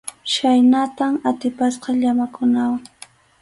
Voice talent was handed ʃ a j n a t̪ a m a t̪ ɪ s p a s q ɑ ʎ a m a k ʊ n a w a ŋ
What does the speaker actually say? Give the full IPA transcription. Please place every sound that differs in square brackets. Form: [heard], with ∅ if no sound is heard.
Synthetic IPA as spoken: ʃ a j n a t̪ a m a t̪ ɪ [∅] p a s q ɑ ʎ a m a k ʊ n a w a ŋ